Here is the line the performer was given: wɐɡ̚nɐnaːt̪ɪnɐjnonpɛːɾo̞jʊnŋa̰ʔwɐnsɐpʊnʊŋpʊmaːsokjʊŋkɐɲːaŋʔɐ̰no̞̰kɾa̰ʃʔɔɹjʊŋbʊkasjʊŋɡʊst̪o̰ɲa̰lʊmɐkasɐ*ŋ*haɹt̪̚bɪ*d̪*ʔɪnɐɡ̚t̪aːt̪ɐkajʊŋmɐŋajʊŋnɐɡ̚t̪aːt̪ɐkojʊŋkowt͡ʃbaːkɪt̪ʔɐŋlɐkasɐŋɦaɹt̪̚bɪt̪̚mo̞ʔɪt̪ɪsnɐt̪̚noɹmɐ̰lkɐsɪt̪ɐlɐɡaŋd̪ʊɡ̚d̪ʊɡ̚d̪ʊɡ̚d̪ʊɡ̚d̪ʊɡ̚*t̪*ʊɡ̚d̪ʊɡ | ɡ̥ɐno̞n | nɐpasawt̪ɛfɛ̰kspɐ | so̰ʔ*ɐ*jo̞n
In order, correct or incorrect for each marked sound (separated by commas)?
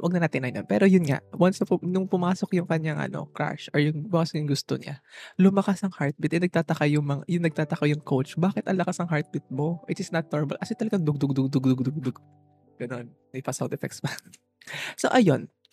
correct, incorrect, incorrect, correct